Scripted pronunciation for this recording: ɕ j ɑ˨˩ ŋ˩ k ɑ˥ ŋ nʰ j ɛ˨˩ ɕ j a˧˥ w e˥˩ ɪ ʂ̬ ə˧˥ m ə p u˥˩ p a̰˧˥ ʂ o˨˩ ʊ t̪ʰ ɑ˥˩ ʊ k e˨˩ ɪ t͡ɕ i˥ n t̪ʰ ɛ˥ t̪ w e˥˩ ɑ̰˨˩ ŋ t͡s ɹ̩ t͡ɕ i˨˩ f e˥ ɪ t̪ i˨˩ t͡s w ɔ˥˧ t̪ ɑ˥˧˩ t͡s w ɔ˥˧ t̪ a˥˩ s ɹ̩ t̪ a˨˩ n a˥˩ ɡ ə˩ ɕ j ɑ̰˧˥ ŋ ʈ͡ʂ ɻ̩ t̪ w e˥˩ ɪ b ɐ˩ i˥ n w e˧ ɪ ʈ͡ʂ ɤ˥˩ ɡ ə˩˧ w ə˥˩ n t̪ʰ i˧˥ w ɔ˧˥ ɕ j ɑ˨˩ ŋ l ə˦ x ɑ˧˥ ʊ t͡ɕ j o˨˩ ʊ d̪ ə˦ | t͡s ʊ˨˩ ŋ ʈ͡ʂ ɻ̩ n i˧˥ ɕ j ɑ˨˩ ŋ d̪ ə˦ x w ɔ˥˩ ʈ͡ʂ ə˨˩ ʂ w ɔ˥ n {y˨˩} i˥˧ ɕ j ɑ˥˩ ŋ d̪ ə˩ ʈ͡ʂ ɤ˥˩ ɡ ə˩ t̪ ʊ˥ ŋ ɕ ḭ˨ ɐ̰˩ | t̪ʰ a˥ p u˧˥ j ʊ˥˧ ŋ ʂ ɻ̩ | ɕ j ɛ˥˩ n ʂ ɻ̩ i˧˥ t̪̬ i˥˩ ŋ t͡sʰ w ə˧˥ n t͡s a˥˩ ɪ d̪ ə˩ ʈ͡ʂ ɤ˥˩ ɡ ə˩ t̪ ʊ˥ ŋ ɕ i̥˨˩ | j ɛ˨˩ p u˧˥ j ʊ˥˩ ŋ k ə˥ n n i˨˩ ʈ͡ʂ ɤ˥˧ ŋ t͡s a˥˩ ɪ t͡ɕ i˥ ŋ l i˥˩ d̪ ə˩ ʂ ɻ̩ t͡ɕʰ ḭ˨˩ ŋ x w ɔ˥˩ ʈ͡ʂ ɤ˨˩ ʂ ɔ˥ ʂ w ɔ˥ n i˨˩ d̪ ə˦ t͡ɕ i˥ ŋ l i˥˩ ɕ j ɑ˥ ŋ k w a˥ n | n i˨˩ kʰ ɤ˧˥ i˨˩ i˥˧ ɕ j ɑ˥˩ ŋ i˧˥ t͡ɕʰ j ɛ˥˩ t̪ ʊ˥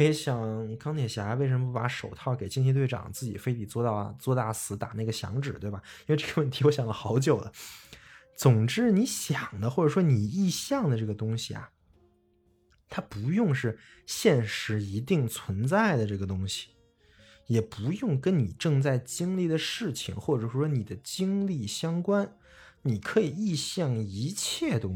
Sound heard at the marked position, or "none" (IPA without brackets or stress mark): i˨˩